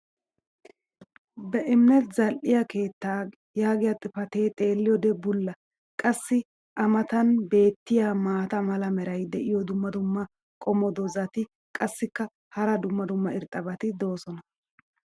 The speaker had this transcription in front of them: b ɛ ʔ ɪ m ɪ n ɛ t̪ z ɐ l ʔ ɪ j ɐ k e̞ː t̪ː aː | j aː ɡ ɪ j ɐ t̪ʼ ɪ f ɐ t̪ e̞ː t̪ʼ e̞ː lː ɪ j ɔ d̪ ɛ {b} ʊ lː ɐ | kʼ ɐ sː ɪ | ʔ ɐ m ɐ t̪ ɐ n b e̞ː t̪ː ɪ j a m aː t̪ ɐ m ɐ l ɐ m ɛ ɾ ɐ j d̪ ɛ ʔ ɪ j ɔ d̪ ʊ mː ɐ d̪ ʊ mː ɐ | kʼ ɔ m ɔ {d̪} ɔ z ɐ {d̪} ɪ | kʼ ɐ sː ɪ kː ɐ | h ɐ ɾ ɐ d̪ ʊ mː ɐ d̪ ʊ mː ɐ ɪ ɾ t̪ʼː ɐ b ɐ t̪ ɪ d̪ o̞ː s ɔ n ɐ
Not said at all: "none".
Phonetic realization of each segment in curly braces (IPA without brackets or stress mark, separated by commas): b, d̪, t̪